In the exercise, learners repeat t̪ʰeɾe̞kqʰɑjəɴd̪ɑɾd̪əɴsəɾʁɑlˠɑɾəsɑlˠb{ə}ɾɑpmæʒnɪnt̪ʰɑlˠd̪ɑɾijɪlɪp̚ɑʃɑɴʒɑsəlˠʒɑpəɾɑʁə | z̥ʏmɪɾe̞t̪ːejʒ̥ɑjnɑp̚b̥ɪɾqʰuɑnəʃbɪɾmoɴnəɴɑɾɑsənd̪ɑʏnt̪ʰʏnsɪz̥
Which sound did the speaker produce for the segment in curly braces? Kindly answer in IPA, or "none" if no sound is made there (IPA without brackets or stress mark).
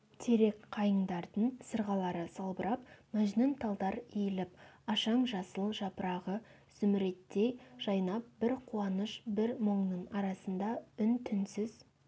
ə